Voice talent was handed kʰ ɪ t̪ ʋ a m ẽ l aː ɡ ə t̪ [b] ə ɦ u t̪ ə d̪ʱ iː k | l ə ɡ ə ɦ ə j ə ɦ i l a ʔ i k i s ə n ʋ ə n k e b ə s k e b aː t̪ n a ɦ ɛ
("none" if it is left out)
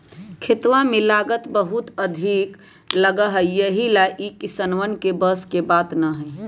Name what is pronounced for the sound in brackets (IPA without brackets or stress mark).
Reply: b